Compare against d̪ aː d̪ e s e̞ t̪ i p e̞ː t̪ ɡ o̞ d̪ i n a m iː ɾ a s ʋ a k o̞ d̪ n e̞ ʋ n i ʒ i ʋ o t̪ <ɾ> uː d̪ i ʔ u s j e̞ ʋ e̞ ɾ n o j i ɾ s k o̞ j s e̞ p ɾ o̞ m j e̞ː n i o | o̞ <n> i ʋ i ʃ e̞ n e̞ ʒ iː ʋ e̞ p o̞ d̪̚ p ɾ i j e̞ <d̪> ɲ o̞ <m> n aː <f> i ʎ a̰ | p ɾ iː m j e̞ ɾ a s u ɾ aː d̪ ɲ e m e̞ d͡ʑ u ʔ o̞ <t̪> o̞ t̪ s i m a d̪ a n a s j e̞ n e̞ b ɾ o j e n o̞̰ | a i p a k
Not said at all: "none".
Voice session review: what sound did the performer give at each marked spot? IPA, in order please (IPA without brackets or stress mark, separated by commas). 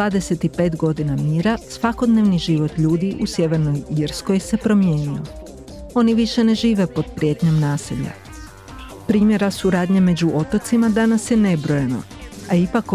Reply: ʎ, n, t̪, m, s, t̪